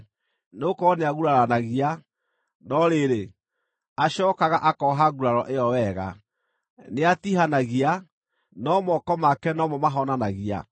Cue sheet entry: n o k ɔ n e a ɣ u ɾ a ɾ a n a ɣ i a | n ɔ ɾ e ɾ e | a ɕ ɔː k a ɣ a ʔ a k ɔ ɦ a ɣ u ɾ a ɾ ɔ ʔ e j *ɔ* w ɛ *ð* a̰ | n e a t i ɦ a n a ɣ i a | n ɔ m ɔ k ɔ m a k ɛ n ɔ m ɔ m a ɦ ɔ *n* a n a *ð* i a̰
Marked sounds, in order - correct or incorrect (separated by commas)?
correct, incorrect, correct, incorrect